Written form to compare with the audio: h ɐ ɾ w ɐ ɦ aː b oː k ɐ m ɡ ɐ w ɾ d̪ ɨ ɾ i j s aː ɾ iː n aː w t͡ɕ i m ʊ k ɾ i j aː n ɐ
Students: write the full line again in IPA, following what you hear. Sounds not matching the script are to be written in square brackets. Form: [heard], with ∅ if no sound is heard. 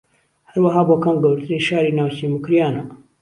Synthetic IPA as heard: h ɐ ɾ w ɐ ɦ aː b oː k ɐ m ɡ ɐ w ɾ [t̪] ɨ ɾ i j [ʃ] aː ɾ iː n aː w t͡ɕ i m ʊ k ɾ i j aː n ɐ